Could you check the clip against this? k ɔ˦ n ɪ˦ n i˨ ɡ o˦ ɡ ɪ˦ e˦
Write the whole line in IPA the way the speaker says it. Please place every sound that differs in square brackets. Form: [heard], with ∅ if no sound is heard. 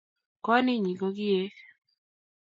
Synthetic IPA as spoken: k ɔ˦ n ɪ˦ [ɲ] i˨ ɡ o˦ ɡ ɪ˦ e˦

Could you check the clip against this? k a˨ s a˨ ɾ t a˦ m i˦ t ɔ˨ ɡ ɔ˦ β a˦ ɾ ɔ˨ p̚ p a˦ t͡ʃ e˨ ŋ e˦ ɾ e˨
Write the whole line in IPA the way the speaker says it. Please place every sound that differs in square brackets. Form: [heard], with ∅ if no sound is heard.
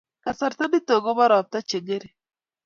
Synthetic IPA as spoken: k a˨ s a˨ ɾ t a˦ [n] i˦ t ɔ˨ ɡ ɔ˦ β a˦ ɾ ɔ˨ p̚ [t] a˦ t͡ʃ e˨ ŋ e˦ ɾ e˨

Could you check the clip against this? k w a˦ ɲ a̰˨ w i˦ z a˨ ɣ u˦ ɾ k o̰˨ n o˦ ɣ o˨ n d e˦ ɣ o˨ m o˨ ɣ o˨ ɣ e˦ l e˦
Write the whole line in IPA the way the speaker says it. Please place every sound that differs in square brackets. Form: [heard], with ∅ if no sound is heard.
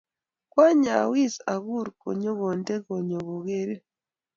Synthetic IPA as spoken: k w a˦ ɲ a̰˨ w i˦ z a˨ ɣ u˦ ɾ k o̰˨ [ɲ] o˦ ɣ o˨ n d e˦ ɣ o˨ [ɲ] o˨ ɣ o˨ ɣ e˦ [ɾ] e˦

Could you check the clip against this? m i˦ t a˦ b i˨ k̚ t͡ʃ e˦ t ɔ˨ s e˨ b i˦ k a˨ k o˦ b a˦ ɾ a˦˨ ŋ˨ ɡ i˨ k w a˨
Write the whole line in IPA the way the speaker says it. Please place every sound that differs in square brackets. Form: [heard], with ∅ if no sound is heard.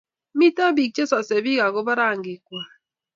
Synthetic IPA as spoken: m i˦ t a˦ b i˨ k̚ t͡ʃ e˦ [s] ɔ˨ s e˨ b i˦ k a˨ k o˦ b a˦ ɾ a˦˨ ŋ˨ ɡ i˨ k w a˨

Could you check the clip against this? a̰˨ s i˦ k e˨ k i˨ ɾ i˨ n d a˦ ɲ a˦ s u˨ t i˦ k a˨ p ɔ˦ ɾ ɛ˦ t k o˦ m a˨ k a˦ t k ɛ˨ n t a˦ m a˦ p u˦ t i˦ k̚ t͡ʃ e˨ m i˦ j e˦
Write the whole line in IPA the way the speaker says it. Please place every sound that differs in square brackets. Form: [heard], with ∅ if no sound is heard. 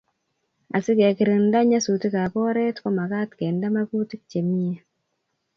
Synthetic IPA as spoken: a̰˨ s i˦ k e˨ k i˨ ɾ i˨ n d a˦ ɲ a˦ s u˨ t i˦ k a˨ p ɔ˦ ɾ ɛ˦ t k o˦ m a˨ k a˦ t k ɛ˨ n [d] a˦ m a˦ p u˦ t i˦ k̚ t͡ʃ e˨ m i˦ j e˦

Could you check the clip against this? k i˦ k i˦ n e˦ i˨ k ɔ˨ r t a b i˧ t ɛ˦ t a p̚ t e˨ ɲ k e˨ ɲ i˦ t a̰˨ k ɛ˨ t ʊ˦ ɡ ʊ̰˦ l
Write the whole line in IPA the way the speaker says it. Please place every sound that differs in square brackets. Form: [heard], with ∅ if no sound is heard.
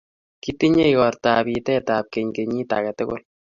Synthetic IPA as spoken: k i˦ [t] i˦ [ɲ] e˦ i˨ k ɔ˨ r t a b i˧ t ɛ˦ t a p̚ [k] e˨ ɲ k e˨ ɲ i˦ t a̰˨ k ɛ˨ t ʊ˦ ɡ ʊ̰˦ l

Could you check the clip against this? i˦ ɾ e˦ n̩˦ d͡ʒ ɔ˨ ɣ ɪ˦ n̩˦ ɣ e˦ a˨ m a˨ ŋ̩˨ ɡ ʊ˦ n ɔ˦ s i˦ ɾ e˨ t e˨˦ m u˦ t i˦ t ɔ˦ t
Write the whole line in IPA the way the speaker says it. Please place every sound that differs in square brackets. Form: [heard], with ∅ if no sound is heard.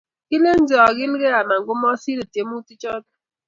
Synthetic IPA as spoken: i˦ [l] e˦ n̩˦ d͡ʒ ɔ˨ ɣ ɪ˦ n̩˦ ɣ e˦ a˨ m a˨ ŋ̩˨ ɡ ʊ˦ [m] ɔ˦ s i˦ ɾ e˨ t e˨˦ m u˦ t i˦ [t͡ʃ] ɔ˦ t

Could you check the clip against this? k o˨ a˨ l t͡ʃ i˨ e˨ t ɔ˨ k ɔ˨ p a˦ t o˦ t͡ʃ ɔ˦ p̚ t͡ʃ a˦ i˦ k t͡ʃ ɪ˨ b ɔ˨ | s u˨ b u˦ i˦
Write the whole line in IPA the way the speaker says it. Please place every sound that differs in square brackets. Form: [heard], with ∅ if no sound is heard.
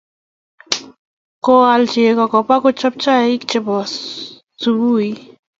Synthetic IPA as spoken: k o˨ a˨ l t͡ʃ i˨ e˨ [k] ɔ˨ k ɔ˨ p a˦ [k] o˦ t͡ʃ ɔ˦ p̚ t͡ʃ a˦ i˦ k t͡ʃ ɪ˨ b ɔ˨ | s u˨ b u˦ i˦

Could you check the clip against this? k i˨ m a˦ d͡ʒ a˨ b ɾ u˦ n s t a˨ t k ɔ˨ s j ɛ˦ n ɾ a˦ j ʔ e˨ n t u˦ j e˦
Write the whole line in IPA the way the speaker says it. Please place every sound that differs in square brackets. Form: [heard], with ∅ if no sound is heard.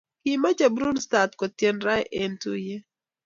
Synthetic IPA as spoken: k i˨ m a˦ d͡ʒ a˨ b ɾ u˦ n s t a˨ t k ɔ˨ [t] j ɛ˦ n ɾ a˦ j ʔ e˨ n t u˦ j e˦

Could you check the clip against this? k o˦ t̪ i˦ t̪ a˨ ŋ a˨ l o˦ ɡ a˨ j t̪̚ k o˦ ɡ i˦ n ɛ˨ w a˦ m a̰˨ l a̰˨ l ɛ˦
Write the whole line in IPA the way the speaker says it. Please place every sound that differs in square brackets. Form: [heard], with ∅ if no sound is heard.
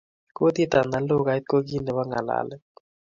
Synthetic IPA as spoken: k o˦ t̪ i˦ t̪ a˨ [n] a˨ l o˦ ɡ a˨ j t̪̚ k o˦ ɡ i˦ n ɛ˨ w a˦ [ŋ] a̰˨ l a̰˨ l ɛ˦

